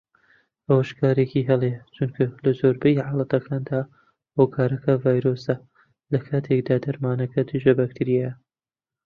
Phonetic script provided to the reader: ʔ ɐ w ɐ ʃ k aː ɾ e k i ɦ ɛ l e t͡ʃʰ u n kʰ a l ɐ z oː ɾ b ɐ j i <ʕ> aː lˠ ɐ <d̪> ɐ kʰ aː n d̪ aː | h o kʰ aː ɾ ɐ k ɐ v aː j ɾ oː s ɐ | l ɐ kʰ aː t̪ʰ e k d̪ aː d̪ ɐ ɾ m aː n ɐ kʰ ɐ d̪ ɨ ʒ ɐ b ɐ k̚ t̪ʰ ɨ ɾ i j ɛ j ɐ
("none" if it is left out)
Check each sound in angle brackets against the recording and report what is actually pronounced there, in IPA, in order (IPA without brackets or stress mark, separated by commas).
ʕ, t̪